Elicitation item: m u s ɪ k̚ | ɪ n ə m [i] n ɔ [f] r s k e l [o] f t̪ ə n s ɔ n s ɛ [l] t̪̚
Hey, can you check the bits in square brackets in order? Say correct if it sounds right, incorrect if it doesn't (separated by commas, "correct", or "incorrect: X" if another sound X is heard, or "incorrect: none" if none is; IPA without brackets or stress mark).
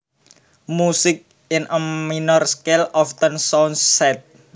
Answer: correct, incorrect: none, incorrect: ɔ, incorrect: none